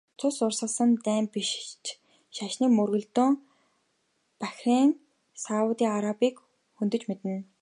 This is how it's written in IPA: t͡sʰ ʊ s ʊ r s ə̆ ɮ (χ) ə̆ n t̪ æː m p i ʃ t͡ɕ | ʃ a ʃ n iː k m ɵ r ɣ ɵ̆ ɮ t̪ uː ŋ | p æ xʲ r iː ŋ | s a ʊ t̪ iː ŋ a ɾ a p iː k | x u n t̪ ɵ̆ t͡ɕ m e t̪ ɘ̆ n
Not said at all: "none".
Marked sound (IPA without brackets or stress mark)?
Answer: s